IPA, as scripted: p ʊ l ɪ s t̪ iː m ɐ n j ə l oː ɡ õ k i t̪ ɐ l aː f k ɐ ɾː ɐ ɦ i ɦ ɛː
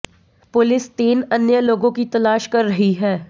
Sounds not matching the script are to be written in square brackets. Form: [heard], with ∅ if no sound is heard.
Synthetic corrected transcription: p ʊ l ɪ s t̪ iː [n] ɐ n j ə l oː ɡ õ k i t̪ ɐ l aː [ʃ] k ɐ ɾː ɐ ɦ i ɦ ɛː